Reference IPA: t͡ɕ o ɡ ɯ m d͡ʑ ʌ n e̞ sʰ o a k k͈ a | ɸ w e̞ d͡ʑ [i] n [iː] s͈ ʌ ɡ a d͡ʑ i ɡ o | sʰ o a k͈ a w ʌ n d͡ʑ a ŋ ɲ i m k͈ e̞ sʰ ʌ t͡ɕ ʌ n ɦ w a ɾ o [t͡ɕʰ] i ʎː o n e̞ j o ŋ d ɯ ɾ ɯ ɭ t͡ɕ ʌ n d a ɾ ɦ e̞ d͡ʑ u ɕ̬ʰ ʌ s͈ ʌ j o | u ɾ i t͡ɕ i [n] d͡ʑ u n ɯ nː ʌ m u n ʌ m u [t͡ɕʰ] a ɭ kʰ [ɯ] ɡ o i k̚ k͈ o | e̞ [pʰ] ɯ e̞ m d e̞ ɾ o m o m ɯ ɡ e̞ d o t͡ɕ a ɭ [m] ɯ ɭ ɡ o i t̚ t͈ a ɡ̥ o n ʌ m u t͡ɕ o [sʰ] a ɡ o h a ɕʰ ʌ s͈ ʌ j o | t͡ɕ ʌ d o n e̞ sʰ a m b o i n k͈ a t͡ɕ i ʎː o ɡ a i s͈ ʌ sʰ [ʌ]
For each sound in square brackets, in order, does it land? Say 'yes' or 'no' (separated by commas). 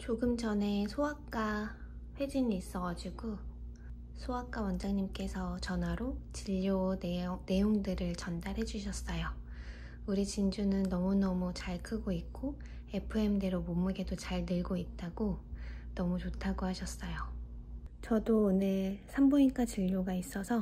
yes, yes, no, yes, no, yes, yes, no, no, yes